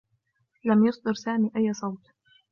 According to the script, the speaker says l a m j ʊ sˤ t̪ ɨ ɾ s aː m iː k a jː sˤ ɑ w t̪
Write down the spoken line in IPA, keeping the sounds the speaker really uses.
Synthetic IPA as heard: l a m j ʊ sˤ d̪ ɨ ɾ s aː m iː ʔ a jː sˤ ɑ w t̪